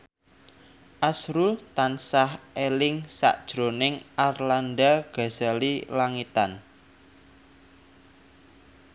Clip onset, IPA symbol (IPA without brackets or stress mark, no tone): ʔ